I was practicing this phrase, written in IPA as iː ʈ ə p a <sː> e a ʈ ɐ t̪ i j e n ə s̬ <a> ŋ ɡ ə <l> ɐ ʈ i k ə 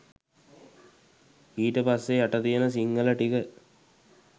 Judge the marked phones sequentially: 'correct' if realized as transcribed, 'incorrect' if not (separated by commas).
correct, incorrect, correct